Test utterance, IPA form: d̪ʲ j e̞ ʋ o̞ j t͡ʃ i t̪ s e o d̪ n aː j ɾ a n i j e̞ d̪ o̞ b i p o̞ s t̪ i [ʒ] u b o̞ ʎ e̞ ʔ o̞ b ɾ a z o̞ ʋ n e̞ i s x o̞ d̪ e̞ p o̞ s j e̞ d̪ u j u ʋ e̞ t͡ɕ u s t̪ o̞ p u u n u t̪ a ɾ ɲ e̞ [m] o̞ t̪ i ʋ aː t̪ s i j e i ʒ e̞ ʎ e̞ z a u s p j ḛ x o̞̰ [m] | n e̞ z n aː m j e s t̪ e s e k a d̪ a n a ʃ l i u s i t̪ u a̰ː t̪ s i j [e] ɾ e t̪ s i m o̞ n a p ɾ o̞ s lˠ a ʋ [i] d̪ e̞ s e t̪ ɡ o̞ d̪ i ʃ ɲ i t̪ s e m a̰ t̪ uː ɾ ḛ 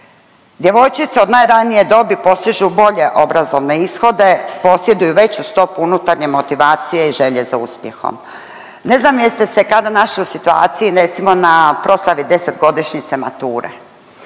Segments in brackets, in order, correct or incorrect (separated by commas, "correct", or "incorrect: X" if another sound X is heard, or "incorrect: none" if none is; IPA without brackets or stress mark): correct, correct, correct, incorrect: i, correct